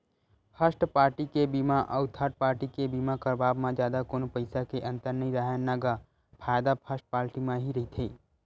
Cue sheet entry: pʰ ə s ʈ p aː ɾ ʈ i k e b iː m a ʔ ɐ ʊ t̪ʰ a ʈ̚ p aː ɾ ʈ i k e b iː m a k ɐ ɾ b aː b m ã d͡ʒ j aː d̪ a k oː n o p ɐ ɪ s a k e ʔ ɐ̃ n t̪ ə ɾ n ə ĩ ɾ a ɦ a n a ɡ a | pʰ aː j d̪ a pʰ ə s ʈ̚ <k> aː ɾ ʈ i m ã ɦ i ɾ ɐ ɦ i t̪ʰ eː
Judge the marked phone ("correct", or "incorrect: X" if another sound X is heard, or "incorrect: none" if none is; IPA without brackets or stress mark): incorrect: p